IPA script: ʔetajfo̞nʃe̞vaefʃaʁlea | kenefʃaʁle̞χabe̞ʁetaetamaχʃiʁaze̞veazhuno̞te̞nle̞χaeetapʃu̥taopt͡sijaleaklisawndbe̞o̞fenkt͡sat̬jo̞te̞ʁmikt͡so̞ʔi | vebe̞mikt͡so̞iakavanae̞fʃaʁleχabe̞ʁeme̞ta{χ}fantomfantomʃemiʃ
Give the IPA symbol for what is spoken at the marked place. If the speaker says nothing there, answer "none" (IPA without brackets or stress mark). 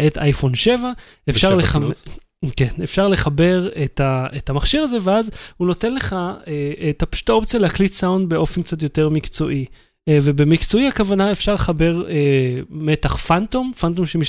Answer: χ